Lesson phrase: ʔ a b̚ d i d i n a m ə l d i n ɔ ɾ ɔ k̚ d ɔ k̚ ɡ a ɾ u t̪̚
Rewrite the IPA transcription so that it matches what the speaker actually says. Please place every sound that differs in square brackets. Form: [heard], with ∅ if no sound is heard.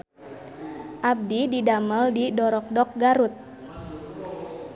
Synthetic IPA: ʔ a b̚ d i d i [d] a m ə l d i [d] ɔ ɾ ɔ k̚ d ɔ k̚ ɡ a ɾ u t̪̚